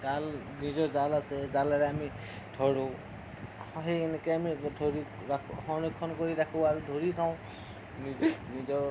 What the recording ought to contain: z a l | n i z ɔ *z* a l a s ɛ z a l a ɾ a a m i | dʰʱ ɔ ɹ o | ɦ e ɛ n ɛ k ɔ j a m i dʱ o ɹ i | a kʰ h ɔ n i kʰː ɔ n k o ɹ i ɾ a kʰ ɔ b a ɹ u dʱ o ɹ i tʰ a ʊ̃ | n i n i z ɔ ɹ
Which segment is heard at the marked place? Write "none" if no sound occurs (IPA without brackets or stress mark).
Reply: z